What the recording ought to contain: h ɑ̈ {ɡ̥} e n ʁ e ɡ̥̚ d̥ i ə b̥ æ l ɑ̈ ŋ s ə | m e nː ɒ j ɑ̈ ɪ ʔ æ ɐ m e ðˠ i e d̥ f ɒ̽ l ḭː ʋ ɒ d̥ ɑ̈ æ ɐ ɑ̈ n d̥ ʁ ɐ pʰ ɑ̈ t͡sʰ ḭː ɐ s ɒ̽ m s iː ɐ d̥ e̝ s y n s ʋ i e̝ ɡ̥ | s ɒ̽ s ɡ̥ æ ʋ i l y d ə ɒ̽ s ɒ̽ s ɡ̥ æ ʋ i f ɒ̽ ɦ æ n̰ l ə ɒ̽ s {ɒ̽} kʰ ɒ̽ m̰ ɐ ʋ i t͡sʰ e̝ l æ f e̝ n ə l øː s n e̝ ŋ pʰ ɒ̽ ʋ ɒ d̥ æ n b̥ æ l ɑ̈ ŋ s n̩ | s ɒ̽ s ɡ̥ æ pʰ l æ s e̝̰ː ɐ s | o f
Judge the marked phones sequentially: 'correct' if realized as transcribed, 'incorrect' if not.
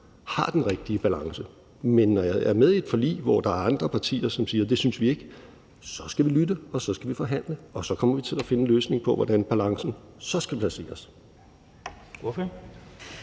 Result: incorrect, correct

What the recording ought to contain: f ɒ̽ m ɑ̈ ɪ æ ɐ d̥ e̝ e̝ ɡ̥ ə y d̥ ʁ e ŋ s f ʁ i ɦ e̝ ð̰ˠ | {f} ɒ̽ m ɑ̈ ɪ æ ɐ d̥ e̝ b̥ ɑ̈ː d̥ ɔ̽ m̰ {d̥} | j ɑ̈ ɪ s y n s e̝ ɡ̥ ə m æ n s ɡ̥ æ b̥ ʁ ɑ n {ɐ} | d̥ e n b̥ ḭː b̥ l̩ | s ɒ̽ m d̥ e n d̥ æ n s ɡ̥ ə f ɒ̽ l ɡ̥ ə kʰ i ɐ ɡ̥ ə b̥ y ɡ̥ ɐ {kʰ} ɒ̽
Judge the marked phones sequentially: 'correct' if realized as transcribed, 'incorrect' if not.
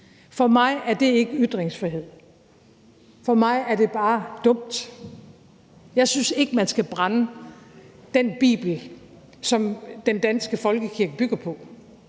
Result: correct, correct, incorrect, incorrect

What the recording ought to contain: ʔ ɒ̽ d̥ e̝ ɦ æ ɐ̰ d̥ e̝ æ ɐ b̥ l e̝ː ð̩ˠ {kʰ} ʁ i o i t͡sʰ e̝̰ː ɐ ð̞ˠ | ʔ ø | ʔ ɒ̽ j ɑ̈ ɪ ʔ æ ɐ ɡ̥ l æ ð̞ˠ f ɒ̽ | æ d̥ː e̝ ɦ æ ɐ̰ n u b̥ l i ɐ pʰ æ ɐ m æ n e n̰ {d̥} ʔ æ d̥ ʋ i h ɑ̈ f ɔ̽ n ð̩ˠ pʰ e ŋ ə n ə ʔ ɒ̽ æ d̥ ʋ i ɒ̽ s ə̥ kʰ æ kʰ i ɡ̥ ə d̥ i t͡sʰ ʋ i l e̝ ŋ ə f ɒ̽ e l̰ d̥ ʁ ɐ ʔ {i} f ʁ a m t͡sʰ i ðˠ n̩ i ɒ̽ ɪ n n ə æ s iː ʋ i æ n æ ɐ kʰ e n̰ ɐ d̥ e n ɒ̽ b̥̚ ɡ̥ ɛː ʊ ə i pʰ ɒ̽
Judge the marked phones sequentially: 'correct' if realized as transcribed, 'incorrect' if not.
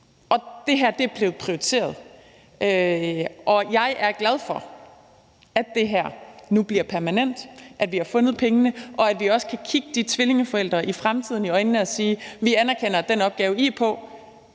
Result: incorrect, correct, correct

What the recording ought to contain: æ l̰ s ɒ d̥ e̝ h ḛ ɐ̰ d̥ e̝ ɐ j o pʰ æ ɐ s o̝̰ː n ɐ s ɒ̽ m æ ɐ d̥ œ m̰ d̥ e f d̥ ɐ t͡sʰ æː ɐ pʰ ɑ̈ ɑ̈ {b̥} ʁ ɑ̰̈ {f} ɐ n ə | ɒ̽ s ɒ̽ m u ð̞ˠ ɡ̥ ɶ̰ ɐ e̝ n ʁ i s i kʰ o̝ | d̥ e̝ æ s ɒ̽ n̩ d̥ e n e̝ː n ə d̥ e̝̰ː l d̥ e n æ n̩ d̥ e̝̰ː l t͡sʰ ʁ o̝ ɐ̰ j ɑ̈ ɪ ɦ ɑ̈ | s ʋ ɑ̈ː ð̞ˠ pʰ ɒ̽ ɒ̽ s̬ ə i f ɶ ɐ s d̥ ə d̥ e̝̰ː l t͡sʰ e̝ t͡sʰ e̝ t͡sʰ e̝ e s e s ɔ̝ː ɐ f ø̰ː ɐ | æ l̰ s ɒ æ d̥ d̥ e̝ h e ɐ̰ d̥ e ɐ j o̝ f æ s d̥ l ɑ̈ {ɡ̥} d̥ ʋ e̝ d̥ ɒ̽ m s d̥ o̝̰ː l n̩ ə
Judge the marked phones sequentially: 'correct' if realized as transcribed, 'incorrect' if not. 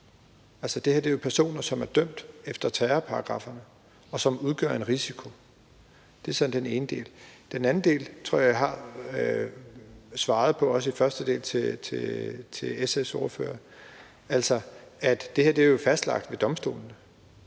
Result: incorrect, correct, correct

